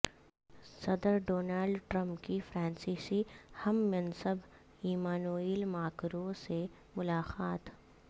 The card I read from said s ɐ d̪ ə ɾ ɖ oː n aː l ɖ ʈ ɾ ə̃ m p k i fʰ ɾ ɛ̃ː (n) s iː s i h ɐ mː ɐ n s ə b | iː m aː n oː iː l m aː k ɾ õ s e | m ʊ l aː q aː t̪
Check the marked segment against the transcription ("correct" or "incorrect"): correct